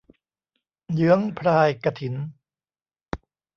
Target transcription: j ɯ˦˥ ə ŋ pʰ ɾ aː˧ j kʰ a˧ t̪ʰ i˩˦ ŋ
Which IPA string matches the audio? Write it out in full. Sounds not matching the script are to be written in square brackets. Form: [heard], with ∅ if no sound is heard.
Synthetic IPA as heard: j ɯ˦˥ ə ŋ pʰ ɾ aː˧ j [k] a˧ t̪ʰ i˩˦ [n]